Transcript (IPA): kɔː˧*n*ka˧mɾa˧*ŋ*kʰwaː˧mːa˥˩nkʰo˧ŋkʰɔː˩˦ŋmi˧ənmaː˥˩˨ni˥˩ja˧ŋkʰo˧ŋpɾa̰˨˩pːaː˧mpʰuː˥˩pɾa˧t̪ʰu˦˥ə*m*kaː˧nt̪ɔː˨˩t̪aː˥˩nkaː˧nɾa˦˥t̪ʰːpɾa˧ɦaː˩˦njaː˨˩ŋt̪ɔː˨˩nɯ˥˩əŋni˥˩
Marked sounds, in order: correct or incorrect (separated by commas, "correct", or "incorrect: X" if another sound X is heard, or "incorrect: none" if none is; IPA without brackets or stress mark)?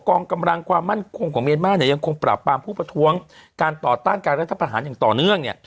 incorrect: ŋ, correct, incorrect: ŋ